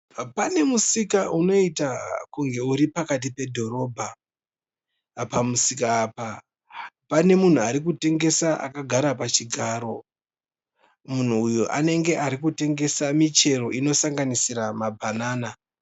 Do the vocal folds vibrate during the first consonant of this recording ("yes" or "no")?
no